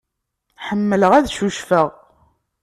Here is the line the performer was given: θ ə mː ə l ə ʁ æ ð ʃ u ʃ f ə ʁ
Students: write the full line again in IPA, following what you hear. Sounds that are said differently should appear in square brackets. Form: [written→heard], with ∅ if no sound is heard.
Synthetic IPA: [θ→ħ] ə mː ə l ə ʁ æ ð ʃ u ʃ f ə ʁ